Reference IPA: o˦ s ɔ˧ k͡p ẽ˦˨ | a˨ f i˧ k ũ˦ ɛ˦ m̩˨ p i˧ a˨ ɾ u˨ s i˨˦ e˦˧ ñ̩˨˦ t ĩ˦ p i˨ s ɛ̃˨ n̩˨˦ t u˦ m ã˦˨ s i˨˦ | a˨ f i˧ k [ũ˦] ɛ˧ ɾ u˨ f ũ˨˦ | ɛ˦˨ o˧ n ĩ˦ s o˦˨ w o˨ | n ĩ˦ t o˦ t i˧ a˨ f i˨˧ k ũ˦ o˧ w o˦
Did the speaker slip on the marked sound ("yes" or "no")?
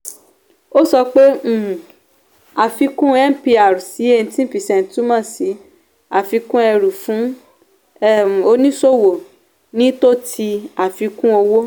no